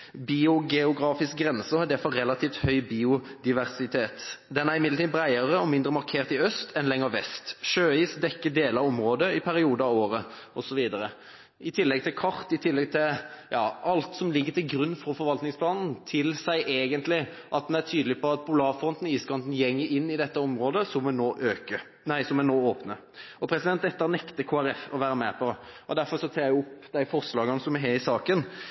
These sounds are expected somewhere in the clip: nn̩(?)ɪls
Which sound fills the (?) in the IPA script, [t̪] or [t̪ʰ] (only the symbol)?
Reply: t̪ʰ